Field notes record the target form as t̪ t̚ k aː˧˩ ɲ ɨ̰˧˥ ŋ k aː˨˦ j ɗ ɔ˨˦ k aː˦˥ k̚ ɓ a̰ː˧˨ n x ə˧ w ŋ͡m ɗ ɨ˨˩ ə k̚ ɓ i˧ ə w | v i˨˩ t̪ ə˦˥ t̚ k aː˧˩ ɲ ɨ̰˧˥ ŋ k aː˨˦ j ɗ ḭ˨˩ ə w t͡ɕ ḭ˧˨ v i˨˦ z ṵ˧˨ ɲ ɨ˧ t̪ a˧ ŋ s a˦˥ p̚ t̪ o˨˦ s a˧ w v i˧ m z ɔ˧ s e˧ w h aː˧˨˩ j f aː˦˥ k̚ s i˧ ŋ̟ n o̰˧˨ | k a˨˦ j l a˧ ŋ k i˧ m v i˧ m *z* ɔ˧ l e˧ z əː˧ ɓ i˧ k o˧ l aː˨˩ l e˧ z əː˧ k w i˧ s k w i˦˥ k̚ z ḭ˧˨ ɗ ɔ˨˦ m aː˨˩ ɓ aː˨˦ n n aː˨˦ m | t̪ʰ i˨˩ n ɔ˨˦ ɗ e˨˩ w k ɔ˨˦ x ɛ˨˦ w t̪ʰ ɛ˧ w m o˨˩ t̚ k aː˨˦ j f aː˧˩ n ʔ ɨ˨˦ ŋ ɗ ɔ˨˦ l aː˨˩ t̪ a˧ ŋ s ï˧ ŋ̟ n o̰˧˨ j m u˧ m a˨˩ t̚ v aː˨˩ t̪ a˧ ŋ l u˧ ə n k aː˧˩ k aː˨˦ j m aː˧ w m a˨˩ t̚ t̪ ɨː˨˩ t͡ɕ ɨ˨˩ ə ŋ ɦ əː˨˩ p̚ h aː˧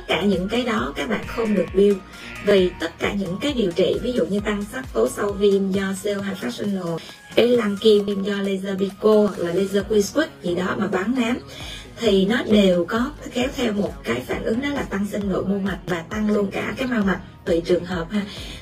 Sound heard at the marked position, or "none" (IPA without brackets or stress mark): z